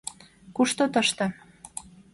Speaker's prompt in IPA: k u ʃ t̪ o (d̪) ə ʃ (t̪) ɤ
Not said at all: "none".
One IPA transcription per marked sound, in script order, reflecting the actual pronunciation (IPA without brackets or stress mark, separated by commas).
t̪, t̪